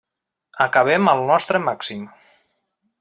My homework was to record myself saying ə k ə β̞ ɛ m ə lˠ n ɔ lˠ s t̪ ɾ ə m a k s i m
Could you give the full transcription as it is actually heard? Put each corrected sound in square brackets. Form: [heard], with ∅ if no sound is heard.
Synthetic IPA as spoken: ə k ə β̞ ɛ m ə lˠ n ɔ [∅] s t̪ ɾ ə m a k s i m